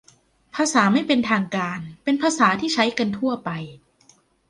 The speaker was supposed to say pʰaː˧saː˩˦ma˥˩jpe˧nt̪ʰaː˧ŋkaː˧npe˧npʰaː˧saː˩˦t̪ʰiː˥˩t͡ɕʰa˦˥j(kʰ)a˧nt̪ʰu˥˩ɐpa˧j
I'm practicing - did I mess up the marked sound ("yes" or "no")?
yes